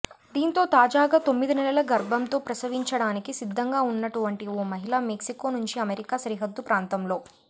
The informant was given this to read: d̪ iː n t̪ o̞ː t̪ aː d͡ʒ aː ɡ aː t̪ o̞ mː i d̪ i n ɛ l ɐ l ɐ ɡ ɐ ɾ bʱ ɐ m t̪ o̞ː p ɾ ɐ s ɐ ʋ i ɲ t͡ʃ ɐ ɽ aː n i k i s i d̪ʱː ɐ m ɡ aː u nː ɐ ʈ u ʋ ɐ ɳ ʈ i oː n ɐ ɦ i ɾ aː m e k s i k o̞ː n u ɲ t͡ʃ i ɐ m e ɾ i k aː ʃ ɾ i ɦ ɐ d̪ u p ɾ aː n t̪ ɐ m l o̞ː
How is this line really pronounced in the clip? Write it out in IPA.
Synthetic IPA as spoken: d̪ iː n t̪ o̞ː t̪ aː d͡ʒ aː ɡ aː t̪ o̞ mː i d̪ i n ɛ l ɐ l ɐ ɡ ɐ ɾ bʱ ɐ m t̪ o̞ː p ɾ ɐ s ɐ ʋ i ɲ t͡ʃ ɐ ɽ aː n i k i s i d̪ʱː ɐ ŋ ɡ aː u nː ɐ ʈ u ʋ ɐ ɳ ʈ i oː m ɐ ɦ i l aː m e k s i k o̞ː n u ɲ t͡ʃ i ɐ m e ɾ i k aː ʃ ɾ i ɦ ɐ d̪ː u p ɾ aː n t̪ ɐ m l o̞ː